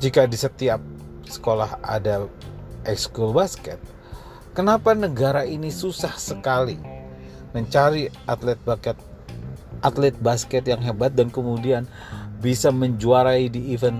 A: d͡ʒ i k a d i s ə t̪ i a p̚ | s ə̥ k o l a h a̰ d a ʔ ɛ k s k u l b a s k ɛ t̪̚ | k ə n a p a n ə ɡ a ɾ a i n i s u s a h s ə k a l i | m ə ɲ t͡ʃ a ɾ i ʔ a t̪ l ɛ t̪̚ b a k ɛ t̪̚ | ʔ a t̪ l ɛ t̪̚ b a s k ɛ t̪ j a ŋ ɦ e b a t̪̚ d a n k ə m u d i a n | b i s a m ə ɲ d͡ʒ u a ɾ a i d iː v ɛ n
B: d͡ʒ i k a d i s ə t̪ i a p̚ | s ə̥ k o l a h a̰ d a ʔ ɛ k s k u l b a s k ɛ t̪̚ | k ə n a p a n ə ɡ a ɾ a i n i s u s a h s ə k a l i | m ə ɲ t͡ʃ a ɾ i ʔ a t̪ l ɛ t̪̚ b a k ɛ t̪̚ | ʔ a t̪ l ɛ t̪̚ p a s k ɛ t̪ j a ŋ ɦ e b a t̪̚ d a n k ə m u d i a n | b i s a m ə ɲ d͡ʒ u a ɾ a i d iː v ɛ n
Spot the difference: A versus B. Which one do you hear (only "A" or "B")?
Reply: A